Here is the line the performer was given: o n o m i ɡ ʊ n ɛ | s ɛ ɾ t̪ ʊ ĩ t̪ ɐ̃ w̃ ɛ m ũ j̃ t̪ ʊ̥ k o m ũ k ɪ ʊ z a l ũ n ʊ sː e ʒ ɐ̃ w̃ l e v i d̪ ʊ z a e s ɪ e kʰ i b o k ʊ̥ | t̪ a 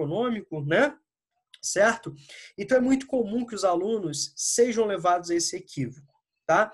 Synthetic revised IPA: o n õ m i k ʊ n ɛ | s ɛ ɾ t̪ ʊ ẽ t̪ ɐ̃ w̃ ɛ m ũ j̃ t̪ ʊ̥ k o m ũ k ɪ ʊ z a l ũ n ʊ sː e ʒ ɐ̃ w̃ l e v a d̪ ʊ z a e s ɪ e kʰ i v o k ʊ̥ | t̪ a

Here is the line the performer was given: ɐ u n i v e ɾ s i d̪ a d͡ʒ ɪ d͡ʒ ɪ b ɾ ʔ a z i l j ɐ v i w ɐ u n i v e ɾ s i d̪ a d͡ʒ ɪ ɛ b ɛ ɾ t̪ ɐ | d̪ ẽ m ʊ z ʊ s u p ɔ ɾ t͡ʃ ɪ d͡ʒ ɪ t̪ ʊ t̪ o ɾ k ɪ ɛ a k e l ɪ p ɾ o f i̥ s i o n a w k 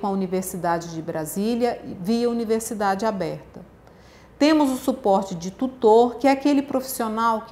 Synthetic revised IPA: ɐ u n i v e ɾ s i d̪ a d͡ʒ ɪ d͡ʒ ɪ b ɾ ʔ a z i l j ɐ v i ɐ u n i v e ɾ s i d̪ a d͡ʒ ɪ a b ɛ ɾ t̪ ɐ | t̪ ẽ m ʊ z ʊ s u p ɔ ɾ t͡ʃ ɪ d͡ʒ ɪ t̪ u t̪ o ɾ k ɪ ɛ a k e l ɪ p ɾ o f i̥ s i o n a w k

